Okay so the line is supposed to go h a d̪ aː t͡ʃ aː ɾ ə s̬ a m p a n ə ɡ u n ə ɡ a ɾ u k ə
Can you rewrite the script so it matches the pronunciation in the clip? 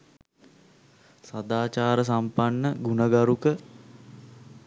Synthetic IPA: s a d̪ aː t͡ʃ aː ɾ ə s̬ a m p a nː ə ɡ u n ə ɡ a ɾ u k ə